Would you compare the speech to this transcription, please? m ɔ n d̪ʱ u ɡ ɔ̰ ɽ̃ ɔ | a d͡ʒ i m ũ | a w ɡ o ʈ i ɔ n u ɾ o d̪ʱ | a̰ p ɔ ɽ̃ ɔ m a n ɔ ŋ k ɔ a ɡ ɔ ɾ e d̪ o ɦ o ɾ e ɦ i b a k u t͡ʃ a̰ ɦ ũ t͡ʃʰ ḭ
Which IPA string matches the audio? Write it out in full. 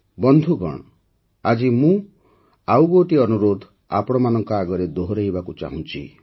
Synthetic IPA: b ɔ n d̪ʱ u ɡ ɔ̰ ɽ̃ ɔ | a d͡ʒ i m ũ | a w ɡ o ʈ i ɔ n u ɾ o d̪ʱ | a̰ p ɔ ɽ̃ ɔ m a n ɔ ŋ k ɔ a ɡ ɔ ɾ e d̪ o ɦ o ɾ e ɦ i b a k u t͡ʃ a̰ ɦ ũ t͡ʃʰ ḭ